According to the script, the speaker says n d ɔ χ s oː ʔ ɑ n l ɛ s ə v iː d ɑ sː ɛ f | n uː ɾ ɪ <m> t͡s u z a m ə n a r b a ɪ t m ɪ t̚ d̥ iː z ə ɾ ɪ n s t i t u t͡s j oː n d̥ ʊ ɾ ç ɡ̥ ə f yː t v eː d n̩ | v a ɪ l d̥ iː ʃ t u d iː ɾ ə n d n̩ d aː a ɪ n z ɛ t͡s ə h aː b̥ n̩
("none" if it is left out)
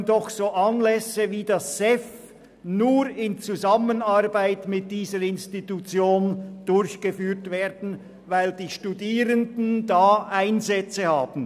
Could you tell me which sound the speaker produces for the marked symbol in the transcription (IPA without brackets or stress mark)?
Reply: n